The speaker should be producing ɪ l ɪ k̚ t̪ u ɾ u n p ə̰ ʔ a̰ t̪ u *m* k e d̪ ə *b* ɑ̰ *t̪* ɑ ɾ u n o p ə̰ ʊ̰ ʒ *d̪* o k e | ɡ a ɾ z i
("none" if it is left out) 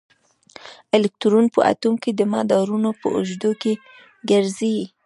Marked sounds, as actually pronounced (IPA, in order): m, m, d̪, d̪

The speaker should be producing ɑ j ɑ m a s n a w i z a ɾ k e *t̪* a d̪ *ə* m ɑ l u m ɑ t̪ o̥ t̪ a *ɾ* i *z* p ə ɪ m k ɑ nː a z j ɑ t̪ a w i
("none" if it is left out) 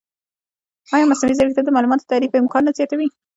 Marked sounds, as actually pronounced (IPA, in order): t̪, ə, ɾ, none

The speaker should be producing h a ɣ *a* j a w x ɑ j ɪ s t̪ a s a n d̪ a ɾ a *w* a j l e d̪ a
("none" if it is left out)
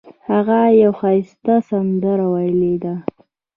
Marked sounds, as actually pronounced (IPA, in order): a, w

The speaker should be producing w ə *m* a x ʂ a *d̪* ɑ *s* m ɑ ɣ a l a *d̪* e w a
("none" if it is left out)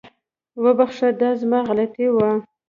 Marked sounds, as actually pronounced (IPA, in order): b, d̪, z, t̪

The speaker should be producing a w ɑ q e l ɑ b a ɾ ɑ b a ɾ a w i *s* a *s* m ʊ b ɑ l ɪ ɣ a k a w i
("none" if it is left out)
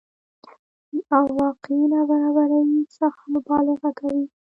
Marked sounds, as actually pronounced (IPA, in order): s, x

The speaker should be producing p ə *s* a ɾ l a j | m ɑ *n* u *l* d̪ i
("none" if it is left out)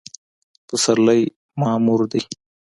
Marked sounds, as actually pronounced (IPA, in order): s, m, ɾ

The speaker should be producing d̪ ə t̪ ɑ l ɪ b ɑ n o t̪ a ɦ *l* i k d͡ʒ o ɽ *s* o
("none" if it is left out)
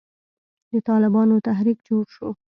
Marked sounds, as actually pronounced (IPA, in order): ɾ, ʃ

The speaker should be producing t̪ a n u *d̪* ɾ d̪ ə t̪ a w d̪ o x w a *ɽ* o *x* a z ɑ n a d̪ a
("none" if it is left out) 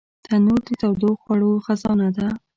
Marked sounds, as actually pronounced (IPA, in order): none, ɽ, x

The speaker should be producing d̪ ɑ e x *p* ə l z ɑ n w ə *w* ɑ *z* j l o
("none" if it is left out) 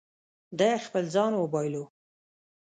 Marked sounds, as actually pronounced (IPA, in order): p, b, none

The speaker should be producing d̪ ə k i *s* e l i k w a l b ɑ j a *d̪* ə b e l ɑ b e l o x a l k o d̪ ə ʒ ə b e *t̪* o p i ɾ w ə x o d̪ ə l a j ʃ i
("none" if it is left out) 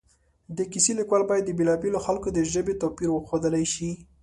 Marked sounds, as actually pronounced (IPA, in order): s, d̪ː, t̪

